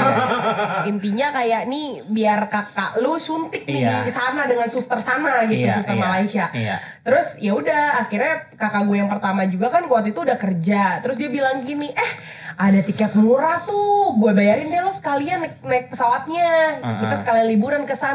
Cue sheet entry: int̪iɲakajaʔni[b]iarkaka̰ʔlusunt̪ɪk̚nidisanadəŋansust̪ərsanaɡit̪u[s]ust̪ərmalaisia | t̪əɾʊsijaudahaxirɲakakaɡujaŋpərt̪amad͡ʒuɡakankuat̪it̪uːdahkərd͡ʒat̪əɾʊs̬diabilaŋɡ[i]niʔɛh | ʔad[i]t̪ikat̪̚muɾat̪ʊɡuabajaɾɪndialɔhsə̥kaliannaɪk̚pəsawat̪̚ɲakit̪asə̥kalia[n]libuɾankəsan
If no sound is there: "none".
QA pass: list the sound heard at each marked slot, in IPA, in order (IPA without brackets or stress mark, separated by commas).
b, s, i, a, n